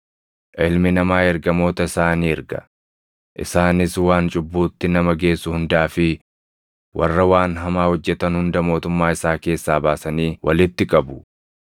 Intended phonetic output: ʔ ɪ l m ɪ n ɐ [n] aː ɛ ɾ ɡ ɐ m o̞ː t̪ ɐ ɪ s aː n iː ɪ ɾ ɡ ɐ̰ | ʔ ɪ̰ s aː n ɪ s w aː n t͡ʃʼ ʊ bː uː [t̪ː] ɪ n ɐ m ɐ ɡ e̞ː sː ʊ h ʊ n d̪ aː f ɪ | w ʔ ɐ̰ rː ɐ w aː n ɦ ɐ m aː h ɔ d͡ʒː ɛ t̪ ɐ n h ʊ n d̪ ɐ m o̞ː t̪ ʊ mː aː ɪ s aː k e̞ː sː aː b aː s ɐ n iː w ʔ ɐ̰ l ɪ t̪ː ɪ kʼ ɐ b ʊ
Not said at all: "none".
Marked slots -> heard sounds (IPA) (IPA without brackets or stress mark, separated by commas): m, t̪ː